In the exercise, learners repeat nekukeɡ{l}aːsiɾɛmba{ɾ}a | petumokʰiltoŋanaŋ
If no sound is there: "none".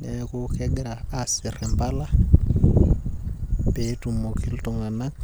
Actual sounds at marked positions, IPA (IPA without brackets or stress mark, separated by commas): ɾ, l